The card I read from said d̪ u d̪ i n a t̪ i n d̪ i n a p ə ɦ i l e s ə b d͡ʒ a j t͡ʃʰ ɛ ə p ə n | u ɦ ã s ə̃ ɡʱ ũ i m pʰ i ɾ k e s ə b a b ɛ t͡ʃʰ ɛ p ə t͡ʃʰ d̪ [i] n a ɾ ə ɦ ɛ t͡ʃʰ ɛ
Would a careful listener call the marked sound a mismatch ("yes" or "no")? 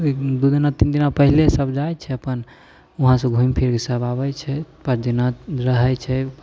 no